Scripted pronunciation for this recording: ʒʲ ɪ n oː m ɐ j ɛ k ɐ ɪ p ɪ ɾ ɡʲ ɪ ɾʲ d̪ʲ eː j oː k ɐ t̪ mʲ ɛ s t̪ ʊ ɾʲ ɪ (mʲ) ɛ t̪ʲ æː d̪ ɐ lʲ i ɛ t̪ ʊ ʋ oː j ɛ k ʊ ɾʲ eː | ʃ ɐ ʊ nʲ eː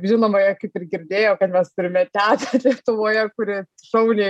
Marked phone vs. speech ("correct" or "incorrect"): correct